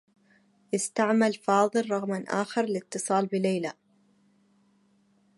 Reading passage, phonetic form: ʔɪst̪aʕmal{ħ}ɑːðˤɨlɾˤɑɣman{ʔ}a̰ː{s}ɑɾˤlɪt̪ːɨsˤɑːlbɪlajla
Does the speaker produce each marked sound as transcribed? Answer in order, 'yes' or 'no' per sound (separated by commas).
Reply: no, yes, no